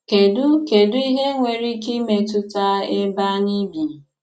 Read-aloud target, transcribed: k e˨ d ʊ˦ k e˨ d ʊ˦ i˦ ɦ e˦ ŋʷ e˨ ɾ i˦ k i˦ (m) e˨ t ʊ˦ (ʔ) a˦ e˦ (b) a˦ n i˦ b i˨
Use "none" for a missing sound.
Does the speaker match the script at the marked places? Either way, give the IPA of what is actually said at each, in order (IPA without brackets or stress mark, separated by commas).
m, t, b